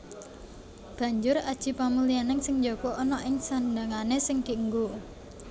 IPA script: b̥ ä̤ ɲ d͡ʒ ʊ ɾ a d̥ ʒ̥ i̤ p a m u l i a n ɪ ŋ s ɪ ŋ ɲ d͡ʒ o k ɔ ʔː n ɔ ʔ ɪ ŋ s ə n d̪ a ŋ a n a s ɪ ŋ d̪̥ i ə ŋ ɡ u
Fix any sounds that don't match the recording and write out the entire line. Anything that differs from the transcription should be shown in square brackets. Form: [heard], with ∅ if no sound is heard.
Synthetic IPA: b̥ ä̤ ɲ d͡ʒ ʊ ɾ a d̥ ʒ̥ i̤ p a m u l i a n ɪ ŋ s ɪ ŋ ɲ d͡ʒ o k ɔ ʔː n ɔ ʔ ɪ ŋ s [a] n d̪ a ŋ a n [e] s ɪ ŋ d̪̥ i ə ŋ ɡ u